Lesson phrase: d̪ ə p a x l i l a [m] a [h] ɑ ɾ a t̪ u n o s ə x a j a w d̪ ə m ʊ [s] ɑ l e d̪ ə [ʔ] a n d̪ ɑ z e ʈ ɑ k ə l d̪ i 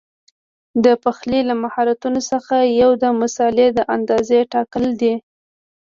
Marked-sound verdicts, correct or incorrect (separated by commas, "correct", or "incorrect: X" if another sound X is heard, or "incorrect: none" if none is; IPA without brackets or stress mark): correct, correct, correct, correct